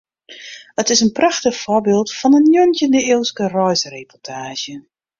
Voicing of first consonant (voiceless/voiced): voiceless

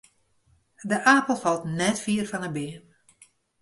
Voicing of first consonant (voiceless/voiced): voiced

